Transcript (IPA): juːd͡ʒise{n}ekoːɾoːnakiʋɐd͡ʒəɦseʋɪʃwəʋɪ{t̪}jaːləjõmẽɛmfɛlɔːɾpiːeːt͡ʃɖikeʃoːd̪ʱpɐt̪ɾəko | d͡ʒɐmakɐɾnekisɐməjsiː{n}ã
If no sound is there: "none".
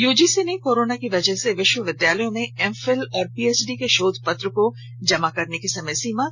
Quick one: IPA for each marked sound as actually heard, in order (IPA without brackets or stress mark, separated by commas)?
n, d̪, m